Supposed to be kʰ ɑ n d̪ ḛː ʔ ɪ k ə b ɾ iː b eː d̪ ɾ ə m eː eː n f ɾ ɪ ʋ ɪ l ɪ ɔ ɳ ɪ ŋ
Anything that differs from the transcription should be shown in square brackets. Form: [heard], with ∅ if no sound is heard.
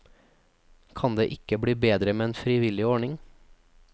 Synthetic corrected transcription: kʰ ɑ n d̪ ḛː ʔ ɪ k ə b [ɽ] iː b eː d̪ ɾ ə m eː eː n f ɾ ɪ ʋ ɪ l ɪ ɔ ɳ ɪ ŋ